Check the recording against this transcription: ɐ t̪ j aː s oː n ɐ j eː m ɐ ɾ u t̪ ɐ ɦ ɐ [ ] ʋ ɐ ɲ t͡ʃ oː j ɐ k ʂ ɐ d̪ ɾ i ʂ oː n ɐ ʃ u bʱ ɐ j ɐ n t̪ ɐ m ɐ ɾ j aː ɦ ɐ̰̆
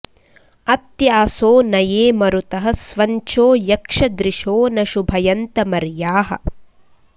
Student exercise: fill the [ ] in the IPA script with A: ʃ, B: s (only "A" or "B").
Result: B